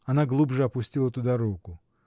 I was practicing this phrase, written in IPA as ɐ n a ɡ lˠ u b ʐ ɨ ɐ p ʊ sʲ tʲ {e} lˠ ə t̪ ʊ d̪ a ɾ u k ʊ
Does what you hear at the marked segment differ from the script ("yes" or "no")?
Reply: yes